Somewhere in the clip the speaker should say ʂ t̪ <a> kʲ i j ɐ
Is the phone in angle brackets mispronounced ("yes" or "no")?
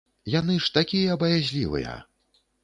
no